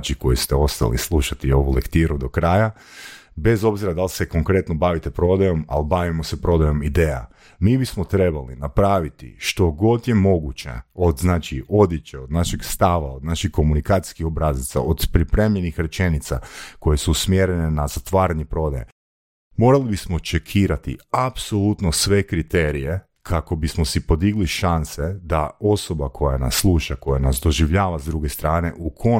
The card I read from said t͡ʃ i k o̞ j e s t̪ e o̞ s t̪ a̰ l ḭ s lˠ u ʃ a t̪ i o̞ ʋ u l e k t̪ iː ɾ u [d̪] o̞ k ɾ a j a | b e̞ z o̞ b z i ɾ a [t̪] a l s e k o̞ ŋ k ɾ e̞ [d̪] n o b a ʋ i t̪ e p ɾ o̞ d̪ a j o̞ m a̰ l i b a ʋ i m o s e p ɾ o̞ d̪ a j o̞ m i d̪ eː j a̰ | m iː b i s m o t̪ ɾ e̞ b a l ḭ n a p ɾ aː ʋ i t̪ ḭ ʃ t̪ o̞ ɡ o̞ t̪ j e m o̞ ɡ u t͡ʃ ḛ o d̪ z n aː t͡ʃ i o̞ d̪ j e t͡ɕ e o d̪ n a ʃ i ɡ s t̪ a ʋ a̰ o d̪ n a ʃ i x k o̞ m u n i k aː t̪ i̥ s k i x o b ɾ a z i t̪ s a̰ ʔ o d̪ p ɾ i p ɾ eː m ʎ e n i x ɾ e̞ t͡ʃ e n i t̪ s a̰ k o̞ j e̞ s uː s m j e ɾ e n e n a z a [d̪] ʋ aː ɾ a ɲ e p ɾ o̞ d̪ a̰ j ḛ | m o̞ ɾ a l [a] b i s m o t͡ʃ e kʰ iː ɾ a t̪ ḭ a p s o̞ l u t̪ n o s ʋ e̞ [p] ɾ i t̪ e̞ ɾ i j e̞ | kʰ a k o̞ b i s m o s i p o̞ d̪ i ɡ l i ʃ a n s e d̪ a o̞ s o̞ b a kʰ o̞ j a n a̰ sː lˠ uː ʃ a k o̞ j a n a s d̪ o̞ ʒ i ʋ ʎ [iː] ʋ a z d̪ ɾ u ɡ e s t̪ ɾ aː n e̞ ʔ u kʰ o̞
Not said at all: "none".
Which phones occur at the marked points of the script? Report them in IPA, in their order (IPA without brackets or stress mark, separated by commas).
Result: d̪, d̪, t̪, t̪, i, k, aː